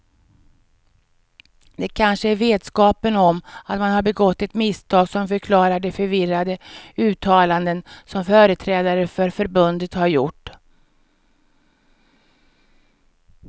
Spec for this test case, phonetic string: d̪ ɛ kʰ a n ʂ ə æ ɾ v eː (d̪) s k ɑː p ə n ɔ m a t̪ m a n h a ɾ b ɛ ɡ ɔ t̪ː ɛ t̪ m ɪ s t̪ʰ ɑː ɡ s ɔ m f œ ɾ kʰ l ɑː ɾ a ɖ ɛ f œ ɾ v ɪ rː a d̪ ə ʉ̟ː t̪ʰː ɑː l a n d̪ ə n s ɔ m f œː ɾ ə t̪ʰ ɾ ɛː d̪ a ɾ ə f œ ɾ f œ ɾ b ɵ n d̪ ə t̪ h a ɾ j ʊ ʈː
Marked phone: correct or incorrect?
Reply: correct